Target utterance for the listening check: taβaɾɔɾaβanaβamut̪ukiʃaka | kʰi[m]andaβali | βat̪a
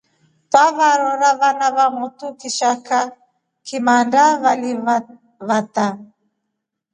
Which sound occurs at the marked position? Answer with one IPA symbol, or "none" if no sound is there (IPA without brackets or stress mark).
m